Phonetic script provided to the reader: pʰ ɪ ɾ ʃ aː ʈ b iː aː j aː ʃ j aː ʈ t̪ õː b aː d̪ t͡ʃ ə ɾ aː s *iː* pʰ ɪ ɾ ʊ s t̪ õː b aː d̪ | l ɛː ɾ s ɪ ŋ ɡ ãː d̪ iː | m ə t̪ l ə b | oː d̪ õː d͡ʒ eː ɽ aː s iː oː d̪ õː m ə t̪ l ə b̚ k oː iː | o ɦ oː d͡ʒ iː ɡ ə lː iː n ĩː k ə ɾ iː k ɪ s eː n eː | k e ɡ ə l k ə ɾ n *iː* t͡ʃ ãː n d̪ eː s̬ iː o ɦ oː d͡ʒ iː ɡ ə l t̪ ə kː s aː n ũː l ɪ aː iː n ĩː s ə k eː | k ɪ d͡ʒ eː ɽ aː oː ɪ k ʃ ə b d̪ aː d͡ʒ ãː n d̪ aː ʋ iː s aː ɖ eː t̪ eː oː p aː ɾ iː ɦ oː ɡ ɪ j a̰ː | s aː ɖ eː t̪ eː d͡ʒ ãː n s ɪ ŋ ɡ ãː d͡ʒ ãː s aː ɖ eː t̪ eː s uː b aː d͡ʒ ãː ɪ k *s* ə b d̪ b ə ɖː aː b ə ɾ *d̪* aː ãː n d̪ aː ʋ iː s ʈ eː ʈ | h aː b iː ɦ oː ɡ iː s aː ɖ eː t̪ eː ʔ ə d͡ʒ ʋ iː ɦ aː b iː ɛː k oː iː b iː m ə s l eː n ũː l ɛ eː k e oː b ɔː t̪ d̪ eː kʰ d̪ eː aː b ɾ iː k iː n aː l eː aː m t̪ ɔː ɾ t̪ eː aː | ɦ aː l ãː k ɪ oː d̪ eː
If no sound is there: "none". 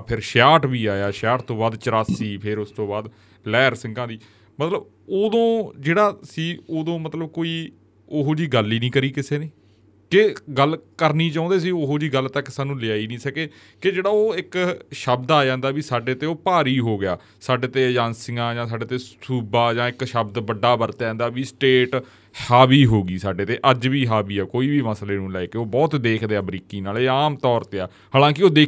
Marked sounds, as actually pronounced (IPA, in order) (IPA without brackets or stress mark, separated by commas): iː, iː, ʃ, t̪